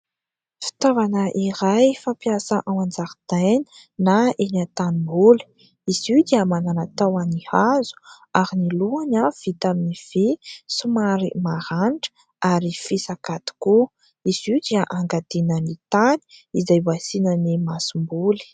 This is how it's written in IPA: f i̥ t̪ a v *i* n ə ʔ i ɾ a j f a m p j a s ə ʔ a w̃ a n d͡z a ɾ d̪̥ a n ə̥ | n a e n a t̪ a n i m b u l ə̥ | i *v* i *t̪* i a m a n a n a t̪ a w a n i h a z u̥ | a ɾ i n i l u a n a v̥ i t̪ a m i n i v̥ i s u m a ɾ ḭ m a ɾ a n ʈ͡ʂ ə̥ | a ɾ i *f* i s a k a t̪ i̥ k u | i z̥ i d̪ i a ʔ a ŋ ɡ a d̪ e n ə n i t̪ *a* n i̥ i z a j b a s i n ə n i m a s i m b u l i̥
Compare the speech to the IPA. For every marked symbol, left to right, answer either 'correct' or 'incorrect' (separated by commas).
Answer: incorrect, incorrect, incorrect, correct, correct